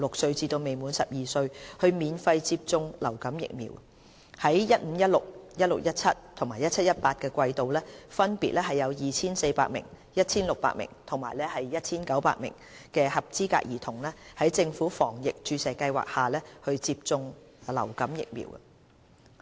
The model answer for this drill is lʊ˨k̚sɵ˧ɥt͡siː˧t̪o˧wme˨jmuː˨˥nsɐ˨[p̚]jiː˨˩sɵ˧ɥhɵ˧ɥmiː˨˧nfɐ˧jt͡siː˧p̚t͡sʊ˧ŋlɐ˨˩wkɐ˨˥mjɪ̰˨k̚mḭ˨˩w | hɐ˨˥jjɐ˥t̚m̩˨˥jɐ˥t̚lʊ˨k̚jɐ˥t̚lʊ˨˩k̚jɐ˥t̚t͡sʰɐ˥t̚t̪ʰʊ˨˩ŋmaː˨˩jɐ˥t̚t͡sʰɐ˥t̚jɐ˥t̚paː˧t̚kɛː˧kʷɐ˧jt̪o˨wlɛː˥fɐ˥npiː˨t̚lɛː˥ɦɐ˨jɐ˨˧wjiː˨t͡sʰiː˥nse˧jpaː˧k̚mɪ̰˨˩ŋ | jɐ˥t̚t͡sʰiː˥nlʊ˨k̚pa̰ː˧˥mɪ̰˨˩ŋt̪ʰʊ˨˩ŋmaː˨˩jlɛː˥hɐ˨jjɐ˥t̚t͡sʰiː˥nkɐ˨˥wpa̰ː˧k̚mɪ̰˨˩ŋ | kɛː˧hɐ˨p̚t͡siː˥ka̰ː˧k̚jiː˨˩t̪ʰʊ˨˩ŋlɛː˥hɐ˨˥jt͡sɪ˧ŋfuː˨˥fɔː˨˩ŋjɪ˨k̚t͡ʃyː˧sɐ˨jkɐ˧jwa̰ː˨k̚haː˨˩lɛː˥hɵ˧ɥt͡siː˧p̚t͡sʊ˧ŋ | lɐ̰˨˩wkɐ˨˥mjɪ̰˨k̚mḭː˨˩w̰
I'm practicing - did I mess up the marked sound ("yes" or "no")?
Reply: no